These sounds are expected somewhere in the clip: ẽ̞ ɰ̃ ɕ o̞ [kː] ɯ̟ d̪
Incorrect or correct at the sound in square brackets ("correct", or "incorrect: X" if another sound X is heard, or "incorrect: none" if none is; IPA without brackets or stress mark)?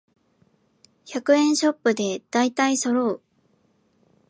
incorrect: pː